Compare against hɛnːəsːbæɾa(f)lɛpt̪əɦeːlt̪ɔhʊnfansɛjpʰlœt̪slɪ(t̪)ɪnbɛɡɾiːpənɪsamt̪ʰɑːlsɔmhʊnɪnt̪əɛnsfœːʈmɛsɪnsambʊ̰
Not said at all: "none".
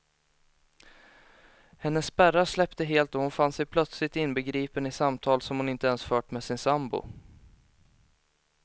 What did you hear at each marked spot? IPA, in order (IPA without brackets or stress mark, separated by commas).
ʂ, t̪